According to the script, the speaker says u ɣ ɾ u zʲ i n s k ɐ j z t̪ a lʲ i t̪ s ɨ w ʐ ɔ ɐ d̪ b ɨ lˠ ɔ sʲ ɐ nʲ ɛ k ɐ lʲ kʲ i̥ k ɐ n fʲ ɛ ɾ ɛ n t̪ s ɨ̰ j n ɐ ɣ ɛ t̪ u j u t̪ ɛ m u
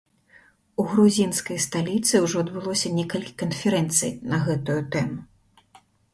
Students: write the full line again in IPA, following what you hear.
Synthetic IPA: u ɣ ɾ u zʲ i n s k ɐ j s t̪ a lʲ i t̪ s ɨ w ʐ ɔ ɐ d̪ b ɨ lˠ ɔ sʲ ɐ nʲ ɛ k ɐ lʲ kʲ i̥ k ɐ n fʲ ɛ ɾ ɛ n t̪ s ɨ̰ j n ɐ ɣ ɛ t̪ u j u t̪ ɛ m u